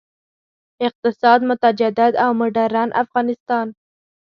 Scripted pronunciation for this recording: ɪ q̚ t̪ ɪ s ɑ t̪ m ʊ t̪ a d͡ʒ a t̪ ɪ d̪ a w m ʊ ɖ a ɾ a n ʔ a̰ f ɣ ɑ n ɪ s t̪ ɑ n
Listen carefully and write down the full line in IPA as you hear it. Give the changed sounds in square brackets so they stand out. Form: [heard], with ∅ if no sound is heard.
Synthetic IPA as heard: ɪ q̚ t̪ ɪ s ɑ [d̪] m ʊ t̪ a d͡ʒ a [d̪] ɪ d̪ a w m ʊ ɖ a ɾ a n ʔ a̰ f ɣ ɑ n ɪ s t̪ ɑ n